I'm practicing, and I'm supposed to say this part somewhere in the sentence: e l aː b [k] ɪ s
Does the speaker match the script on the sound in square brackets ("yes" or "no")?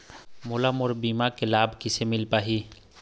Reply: yes